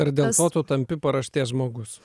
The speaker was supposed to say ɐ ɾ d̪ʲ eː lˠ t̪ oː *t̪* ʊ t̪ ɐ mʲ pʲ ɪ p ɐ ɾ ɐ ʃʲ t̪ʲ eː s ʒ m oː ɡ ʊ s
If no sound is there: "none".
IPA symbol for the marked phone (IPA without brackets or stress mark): t̪